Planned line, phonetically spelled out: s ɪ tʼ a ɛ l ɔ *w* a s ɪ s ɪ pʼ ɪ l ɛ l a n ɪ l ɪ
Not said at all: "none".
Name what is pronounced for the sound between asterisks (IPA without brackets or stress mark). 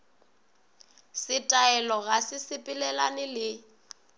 ɣ